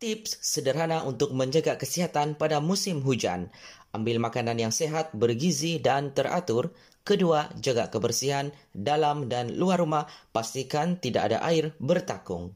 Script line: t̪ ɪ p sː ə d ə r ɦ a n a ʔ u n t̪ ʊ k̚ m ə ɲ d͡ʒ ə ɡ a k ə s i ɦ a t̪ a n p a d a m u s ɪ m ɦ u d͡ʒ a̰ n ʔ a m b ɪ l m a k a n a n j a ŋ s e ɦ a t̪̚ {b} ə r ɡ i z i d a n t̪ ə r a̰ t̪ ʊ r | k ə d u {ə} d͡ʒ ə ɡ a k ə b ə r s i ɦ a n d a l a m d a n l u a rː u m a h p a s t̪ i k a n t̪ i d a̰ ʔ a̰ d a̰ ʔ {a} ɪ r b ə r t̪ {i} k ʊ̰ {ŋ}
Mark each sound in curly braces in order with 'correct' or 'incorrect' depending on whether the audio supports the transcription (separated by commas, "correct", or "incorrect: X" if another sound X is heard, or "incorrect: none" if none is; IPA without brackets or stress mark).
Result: correct, incorrect: a, correct, incorrect: a, correct